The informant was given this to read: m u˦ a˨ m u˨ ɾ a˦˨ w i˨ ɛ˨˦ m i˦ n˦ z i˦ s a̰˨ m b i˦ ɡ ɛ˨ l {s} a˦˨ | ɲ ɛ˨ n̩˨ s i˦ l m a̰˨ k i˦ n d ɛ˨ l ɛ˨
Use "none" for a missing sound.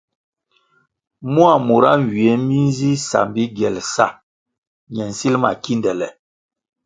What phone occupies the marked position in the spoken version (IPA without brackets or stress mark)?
s